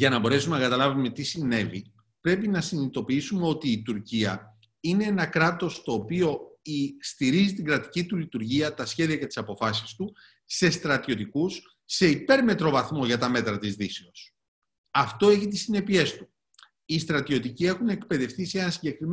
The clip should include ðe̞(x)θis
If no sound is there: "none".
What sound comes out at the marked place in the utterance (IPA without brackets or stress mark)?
f